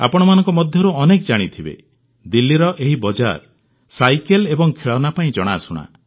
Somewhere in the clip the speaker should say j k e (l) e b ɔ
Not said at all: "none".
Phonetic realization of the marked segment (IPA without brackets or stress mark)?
l